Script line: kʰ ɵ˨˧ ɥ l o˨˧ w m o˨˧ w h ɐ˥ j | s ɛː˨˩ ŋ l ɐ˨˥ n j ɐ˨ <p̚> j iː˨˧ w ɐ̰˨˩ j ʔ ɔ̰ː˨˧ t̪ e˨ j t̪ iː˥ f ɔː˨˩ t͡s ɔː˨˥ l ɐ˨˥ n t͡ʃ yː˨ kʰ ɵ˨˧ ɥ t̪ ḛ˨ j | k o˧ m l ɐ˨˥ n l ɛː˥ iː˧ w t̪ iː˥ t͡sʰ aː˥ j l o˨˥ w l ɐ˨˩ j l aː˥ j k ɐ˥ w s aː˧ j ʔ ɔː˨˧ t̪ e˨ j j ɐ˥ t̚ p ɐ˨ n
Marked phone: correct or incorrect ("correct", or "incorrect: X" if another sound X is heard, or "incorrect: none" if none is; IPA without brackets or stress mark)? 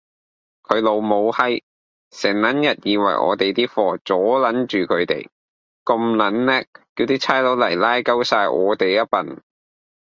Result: incorrect: t̚